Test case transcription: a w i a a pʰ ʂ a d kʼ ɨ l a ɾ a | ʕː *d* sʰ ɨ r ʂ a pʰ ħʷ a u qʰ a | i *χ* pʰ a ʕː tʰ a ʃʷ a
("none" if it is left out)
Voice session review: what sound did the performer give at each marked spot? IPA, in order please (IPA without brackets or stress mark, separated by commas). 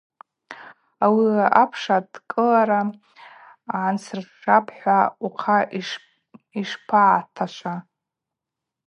n, ʂ